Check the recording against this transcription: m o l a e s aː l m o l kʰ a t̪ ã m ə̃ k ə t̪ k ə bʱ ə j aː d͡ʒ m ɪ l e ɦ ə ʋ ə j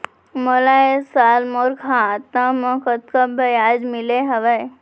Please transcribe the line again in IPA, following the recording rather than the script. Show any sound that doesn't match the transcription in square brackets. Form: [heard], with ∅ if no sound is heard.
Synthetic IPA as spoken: m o l a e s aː l m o [ɾ] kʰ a t̪ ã m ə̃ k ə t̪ k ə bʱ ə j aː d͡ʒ m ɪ l e ɦ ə ʋ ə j